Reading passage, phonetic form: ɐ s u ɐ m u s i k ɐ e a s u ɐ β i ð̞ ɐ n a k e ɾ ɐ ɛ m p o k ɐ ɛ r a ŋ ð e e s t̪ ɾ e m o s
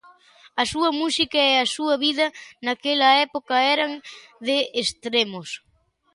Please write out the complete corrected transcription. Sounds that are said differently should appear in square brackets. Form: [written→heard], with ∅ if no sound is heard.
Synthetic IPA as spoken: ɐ s u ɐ m u s i k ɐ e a s u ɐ β i ð̞ ɐ n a k e [ɾ→l] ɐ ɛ [m→∅] p o k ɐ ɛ [r→ɾ] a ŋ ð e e s t̪ ɾ e m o s